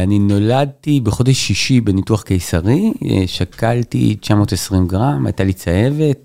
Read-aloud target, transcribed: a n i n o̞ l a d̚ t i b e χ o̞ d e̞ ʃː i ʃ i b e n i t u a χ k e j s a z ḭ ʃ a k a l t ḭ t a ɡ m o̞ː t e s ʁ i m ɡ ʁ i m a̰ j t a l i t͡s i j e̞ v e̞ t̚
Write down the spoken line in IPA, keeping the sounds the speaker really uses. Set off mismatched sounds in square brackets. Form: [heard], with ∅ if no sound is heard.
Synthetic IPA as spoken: a n i n o̞ l a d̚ t i b e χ o̞ d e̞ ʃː i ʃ i b e n i t u a χ k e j s a [ʁ] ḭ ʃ a k a l t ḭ [t͡ʃ] a [∅] m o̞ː t e s ʁ i m ɡ ʁ [a] m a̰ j t a l i t͡s [a] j e̞ v e̞ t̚